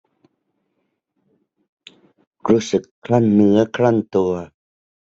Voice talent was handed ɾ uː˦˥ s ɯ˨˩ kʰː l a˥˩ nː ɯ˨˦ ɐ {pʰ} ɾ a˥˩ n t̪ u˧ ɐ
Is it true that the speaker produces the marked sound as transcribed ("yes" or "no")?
no